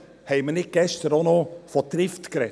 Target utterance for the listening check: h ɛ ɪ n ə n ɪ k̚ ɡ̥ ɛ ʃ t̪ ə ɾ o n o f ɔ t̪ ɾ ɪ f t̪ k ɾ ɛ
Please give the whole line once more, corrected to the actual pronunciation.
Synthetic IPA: h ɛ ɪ m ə n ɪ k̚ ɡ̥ ɛ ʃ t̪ ə ɾ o n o f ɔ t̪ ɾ ɪ f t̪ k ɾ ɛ